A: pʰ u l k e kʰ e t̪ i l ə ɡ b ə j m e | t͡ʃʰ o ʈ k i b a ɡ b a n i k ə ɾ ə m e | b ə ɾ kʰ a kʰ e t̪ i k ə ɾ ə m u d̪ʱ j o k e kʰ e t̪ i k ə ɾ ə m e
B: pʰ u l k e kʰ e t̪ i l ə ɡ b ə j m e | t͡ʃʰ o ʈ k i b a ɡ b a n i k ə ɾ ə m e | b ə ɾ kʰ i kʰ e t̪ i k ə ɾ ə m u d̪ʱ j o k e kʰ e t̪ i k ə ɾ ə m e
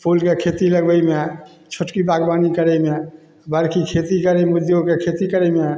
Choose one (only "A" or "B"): B